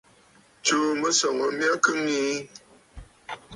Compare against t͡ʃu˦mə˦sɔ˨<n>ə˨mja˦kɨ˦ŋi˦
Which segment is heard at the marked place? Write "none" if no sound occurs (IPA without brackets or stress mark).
ŋ